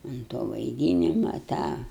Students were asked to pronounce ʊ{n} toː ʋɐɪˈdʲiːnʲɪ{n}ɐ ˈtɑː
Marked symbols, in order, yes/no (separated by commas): yes, no